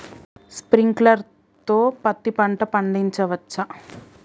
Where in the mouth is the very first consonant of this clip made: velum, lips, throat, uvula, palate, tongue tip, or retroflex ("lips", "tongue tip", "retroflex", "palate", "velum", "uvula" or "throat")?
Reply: tongue tip